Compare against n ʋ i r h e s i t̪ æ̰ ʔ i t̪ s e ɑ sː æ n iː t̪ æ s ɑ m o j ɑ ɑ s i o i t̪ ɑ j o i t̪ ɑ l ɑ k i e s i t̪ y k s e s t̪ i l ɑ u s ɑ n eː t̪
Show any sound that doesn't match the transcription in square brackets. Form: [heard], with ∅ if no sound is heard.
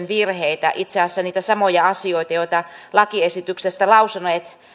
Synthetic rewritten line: n ʋ i r h e [∅] i t̪ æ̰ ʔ i t̪ s e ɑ sː æ n iː t̪ æ s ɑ m o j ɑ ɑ s i o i t̪ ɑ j o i t̪ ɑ l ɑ k i e s i t̪ y k s e s t̪ [æ] l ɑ u s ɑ n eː t̪

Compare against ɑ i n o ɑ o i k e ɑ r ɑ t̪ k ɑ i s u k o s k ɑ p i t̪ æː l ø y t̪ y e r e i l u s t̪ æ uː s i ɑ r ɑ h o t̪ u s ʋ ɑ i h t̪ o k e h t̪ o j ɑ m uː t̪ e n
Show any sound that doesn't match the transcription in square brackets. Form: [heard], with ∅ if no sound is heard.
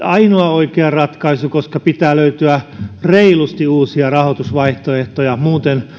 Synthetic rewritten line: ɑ i n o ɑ o i k e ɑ r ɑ t̪ k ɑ i s u k o s k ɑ p i t̪ æː l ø y t̪ y [æ] r e i l u s t̪ [i] uː s i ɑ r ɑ h o t̪ u s ʋ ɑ i h t̪ o [∅] e h t̪ o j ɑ m uː t̪ e n

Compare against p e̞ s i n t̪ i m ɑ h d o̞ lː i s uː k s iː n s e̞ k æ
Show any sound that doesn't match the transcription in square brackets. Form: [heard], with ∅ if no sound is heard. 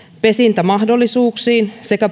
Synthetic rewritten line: p e̞ s i n t̪ [æ] m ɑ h d o̞ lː i s uː k s iː n s e̞ k æ

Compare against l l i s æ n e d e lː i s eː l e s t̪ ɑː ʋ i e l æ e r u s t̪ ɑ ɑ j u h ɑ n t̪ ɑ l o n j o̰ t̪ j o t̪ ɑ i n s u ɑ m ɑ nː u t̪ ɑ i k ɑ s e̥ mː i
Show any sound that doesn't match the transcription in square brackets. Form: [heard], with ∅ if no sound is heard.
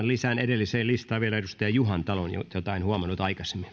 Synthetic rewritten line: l l i s æ n e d e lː i s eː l [i] s t̪ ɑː ʋ i e l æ e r u s t̪ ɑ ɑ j u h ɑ n t̪ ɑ l o n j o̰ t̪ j o t̪ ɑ i n [h] u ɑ m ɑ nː u t̪ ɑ i k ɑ s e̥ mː i

